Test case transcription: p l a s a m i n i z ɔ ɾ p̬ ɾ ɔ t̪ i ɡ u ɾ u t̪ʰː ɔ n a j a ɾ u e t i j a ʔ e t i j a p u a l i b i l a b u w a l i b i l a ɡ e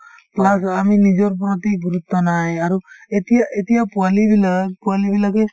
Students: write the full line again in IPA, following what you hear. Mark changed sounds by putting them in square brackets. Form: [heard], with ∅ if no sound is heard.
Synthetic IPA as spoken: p l a s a m i n i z ɔ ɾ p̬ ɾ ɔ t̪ i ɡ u ɾ u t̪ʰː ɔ n a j a ɾ u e t i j a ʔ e t i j a p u a l i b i l a [p] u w a l i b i l a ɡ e